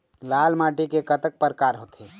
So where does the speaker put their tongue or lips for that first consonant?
tongue tip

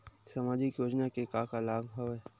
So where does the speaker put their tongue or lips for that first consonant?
tongue tip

